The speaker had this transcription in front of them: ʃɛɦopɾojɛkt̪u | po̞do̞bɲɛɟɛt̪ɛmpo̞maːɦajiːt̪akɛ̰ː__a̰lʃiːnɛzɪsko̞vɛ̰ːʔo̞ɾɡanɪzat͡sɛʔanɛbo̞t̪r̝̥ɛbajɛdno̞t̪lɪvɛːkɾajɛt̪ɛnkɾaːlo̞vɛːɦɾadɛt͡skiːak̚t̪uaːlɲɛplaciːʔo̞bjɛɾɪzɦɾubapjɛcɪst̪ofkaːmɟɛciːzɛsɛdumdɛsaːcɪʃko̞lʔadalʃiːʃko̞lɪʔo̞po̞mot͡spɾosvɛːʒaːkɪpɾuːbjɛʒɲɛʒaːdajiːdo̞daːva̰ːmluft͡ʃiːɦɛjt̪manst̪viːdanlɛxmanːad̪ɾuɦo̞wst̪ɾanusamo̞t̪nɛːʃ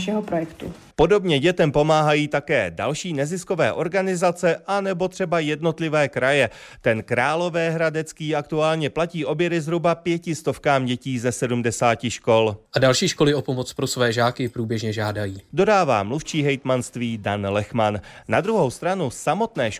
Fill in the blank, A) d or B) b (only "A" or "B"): A